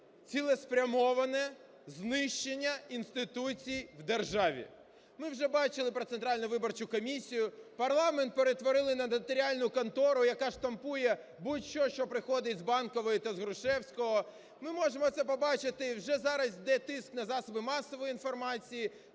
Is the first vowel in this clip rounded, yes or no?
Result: no